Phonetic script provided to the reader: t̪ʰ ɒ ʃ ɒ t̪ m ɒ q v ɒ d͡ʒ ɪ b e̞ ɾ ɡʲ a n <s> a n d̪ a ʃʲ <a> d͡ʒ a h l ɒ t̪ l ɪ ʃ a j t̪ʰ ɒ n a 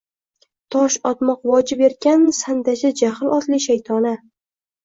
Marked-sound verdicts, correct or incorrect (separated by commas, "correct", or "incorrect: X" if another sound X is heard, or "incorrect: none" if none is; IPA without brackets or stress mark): correct, correct